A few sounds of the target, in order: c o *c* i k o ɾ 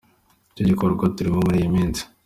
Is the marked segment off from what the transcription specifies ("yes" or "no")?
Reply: yes